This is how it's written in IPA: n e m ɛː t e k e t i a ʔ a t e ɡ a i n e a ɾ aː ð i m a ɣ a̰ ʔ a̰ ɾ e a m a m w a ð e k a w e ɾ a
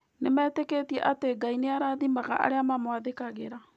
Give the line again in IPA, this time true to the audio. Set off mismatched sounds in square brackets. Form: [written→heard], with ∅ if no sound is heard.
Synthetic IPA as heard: n e m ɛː t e k e t i [a→ɛ] ʔ a t e ɡ a i n e a ɾ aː ð i m a ɣ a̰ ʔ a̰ ɾ e a m a m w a ð e k a [w→ɣ] e ɾ a